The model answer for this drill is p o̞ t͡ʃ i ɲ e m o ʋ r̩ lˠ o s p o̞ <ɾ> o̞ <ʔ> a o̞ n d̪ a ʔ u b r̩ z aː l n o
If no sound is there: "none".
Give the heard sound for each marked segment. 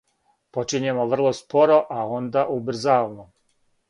ɾ, ʔ

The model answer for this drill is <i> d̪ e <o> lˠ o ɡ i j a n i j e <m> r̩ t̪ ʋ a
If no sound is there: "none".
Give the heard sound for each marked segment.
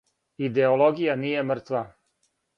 i, o, m

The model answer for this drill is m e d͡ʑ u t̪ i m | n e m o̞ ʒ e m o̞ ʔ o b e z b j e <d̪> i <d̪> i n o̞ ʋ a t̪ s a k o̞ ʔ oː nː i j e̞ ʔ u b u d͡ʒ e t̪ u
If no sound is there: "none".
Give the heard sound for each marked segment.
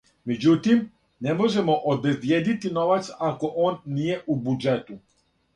d̪, t̪

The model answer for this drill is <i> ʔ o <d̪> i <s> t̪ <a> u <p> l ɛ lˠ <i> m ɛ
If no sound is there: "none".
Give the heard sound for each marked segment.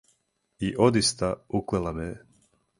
i, d̪, s, a, k, a

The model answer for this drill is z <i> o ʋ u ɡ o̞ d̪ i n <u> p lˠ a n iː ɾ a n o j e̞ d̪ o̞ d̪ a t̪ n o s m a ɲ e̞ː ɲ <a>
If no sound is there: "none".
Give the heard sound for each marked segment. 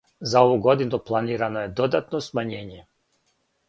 a, u, e

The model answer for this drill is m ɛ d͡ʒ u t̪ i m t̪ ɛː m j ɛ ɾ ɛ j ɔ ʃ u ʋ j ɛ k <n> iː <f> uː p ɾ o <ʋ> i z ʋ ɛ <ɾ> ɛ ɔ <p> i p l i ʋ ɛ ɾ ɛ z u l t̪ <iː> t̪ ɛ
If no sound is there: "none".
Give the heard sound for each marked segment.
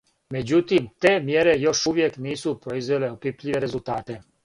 n, s, none, l, p, aː

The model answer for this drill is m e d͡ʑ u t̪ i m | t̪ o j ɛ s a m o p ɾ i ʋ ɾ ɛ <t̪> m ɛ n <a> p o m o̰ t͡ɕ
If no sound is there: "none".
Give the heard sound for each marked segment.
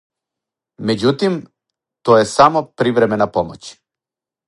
none, a

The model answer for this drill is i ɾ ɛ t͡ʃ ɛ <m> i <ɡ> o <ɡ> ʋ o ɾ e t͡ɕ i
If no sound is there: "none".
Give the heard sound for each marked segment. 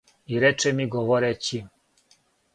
m, ɡ, none

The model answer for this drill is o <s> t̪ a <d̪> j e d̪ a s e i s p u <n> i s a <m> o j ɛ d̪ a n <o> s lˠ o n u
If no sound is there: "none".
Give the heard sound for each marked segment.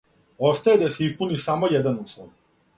s, none, n, m, u

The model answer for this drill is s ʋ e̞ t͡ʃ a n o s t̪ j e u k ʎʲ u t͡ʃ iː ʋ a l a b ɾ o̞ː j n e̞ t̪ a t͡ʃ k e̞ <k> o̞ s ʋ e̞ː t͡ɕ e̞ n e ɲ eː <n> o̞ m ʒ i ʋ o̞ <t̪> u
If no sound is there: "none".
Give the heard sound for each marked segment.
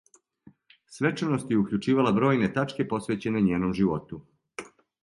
p, n, t̪

